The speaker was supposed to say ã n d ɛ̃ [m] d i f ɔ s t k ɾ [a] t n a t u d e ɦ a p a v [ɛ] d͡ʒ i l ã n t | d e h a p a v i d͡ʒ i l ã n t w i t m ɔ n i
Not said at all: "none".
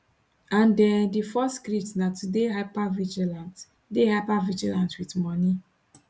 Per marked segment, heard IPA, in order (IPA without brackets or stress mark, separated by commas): n, i, i